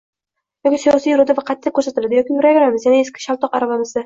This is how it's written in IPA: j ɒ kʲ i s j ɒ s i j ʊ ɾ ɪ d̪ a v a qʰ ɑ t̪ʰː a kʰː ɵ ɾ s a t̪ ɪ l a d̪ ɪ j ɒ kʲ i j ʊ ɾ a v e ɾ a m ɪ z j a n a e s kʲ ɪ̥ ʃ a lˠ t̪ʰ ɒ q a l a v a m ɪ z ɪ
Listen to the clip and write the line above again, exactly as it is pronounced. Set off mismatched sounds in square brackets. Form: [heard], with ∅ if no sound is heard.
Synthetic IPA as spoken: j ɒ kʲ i s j ɒ s i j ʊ ɾ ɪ d̪ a v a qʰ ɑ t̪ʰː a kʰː ɵ ɾ s a t̪ ɪ l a d̪ ɪ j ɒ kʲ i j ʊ ɾ a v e ɾ a m ɪ z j a n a e s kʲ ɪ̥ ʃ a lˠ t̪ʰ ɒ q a [ɾ] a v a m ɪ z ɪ